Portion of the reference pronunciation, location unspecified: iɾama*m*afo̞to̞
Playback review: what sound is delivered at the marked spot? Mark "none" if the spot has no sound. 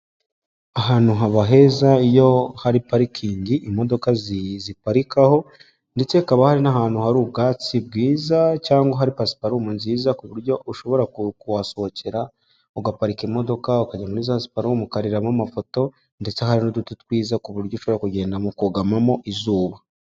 m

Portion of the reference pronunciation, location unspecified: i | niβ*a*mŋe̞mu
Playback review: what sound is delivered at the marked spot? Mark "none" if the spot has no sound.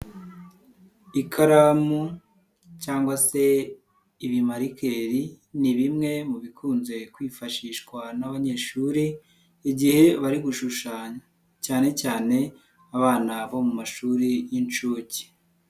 i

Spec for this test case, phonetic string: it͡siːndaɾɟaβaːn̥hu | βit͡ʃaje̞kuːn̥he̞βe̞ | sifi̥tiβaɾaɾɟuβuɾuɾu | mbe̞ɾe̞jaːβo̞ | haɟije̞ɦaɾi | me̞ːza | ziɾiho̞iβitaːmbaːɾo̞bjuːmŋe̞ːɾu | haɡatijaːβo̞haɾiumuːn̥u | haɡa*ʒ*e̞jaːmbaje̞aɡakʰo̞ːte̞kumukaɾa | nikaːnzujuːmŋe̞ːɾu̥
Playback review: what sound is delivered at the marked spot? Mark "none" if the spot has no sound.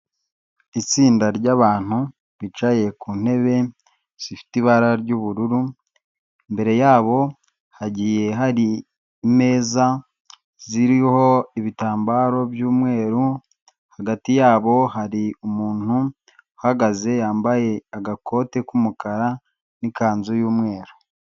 z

